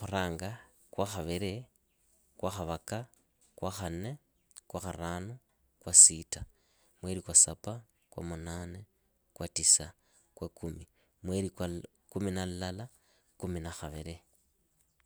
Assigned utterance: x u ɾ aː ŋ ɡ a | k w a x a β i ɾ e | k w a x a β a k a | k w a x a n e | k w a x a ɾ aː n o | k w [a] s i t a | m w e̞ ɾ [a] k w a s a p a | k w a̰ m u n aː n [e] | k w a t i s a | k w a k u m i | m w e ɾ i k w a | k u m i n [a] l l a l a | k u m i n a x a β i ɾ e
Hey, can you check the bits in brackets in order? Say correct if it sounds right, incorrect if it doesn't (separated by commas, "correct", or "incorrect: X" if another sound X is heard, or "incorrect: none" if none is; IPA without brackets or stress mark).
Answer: correct, incorrect: i, correct, correct